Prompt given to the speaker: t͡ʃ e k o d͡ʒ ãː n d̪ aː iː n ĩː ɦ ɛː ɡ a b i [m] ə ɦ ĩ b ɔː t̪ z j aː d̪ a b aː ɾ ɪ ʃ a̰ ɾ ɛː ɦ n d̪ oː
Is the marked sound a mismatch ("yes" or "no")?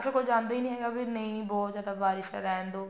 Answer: yes